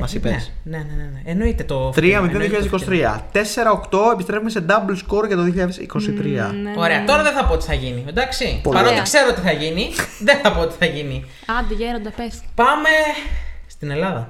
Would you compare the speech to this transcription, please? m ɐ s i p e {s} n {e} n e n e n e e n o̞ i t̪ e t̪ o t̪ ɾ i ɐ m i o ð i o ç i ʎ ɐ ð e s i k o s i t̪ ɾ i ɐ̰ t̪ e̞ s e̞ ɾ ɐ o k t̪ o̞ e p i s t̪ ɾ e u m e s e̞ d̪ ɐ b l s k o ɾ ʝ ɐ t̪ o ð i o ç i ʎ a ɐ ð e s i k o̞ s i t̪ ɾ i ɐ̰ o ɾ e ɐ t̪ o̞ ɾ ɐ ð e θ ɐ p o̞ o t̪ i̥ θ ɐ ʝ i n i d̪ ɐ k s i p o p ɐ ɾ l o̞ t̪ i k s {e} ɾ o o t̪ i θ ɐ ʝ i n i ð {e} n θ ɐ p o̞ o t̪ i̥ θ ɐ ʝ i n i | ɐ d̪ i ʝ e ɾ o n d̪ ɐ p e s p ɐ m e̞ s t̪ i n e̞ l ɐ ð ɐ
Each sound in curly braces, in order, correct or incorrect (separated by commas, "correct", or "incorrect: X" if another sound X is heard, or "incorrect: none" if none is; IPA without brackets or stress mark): correct, correct, correct, correct